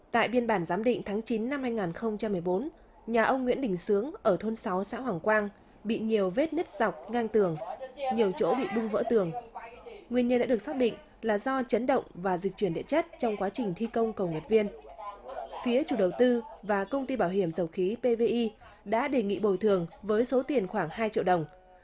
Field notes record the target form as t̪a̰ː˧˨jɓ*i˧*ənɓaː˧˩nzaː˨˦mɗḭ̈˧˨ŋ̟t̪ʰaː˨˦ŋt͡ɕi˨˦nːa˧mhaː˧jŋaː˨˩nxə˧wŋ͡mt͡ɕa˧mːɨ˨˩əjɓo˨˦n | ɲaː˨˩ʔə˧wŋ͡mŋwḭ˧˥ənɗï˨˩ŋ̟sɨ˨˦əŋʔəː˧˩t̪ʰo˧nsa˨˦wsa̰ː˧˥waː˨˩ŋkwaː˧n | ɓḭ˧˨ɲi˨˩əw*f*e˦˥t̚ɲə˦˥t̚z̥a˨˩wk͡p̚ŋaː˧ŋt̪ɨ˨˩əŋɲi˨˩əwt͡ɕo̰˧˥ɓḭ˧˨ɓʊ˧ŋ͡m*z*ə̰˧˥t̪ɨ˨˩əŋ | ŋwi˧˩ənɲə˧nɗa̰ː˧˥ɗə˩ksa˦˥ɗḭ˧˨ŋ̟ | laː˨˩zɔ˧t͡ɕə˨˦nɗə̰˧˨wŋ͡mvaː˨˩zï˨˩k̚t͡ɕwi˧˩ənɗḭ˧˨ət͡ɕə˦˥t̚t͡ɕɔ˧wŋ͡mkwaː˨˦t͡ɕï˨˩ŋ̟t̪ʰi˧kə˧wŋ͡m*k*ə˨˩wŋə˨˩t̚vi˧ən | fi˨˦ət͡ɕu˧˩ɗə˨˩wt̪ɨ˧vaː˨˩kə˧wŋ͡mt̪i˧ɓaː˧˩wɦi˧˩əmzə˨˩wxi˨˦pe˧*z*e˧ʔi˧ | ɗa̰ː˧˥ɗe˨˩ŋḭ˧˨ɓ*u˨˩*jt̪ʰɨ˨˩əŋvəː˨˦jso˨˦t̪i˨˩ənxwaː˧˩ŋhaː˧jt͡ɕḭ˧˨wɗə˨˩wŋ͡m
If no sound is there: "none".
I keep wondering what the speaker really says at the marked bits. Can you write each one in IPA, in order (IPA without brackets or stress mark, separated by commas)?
i˧, v, v, k, v, o˨˩